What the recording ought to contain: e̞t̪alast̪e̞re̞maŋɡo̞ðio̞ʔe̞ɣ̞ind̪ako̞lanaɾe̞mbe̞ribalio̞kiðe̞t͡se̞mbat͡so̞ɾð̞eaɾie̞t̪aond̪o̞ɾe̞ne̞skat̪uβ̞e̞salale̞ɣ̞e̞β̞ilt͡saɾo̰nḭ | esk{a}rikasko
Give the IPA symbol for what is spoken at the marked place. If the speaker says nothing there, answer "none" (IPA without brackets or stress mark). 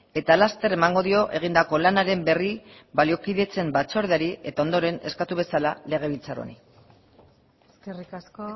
e